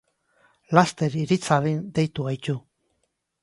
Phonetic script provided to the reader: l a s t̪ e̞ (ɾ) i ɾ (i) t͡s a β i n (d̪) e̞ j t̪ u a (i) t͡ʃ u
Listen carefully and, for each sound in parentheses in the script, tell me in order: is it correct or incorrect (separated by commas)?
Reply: correct, correct, correct, incorrect